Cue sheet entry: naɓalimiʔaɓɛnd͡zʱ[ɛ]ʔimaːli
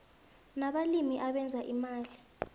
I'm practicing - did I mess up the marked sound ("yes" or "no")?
yes